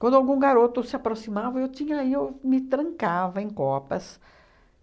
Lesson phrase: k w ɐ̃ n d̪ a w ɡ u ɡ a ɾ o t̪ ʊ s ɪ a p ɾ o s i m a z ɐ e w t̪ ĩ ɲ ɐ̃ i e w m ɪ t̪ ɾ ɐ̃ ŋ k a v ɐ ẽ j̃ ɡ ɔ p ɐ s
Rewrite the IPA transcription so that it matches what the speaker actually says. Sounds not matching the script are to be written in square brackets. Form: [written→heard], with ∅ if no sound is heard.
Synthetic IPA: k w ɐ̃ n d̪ a w ɡ [u→ũ] ɡ a ɾ o t̪ ʊ s ɪ a p ɾ o s i m a [z→v] ɐ e w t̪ ĩ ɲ [ɐ̃→ɐ] i e w m ɪ t̪ ɾ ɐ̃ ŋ k a v ɐ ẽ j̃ [ɡ→k] ɔ p ɐ s